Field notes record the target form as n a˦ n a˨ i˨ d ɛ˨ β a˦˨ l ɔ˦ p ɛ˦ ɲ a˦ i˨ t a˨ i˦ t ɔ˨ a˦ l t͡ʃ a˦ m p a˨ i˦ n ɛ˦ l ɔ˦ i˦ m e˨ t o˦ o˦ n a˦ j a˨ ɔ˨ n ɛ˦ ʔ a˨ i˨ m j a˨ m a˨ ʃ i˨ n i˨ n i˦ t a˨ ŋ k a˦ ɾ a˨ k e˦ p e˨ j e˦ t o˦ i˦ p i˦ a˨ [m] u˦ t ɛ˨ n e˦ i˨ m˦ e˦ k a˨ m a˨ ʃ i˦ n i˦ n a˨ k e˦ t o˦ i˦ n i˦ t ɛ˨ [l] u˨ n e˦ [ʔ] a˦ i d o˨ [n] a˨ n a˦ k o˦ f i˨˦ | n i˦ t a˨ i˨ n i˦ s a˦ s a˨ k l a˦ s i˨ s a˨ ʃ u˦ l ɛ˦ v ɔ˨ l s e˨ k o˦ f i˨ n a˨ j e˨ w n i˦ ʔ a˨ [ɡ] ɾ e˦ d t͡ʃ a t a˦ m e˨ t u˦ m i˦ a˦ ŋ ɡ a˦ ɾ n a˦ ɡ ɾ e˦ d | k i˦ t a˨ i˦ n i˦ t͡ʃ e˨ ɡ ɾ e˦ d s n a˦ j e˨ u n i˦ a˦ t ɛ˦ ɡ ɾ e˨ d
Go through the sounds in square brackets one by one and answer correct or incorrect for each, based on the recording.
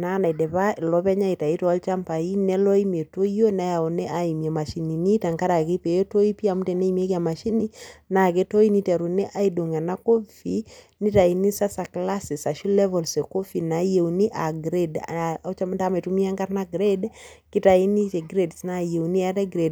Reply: correct, incorrect: ɾ, correct, incorrect: ŋ, correct

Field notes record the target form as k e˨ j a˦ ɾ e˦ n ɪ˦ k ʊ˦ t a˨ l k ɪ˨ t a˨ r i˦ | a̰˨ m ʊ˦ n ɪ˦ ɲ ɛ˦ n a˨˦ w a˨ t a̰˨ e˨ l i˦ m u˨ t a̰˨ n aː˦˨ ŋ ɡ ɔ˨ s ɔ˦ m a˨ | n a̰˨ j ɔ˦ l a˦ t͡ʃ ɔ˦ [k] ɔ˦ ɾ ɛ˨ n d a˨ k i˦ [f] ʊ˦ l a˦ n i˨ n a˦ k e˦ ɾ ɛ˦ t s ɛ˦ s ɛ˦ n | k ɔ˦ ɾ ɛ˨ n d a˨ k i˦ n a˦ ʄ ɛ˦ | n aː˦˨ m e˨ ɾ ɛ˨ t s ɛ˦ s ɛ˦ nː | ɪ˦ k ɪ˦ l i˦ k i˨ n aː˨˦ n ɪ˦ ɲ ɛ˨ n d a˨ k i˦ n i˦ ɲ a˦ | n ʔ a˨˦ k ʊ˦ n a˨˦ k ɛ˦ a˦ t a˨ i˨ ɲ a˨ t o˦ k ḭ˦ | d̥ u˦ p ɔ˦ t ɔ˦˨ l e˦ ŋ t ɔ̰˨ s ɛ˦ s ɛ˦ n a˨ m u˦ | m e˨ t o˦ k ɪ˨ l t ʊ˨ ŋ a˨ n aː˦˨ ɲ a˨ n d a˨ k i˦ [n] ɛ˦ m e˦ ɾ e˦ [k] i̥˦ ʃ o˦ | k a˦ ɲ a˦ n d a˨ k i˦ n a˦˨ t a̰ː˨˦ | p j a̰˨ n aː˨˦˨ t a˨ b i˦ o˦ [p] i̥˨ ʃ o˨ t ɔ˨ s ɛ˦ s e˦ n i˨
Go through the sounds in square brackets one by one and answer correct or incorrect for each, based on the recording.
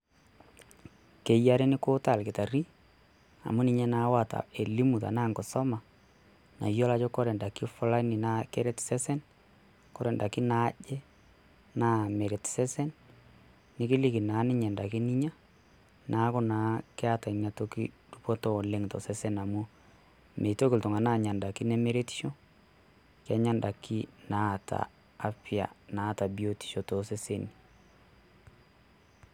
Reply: correct, correct, correct, incorrect: t, incorrect: t

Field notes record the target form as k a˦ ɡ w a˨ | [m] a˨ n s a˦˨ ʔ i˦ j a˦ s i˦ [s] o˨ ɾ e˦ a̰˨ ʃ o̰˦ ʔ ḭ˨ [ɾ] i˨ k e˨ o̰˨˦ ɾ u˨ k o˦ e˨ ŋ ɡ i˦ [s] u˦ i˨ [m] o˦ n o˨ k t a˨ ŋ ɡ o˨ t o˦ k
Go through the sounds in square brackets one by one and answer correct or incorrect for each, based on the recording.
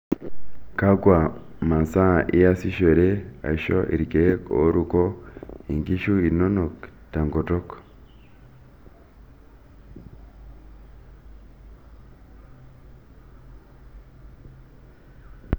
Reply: correct, incorrect: ʃ, correct, incorrect: ʃ, incorrect: n

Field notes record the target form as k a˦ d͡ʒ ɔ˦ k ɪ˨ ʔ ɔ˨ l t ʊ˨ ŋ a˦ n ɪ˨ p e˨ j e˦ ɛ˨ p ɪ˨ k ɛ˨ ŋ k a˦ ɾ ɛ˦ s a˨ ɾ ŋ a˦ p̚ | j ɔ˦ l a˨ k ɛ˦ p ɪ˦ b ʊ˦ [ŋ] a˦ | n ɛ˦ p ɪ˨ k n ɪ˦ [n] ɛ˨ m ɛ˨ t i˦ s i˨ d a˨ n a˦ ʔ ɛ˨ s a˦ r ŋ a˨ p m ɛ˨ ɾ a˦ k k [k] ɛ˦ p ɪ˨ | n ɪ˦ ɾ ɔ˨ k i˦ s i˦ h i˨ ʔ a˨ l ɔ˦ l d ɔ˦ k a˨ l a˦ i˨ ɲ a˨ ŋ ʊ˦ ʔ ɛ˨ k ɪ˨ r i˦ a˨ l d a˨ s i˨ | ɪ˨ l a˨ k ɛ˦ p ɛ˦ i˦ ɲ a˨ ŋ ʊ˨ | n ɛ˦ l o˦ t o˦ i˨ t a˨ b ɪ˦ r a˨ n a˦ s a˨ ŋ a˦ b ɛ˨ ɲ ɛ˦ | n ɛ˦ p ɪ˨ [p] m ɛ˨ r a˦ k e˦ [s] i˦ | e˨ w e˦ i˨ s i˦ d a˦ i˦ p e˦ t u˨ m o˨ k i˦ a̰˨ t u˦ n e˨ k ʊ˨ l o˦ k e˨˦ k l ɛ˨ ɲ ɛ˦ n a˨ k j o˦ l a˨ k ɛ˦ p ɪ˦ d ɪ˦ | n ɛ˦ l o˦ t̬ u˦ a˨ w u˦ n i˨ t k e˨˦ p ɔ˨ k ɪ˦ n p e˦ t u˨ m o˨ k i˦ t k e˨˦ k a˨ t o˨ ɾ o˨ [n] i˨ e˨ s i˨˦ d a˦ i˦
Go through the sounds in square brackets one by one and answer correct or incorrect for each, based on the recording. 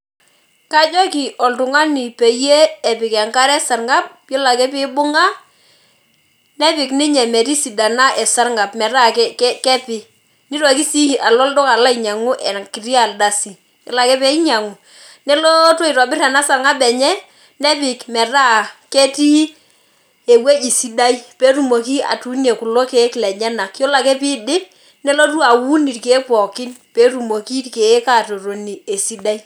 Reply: correct, incorrect: ɲ, correct, incorrect: k, incorrect: t, correct

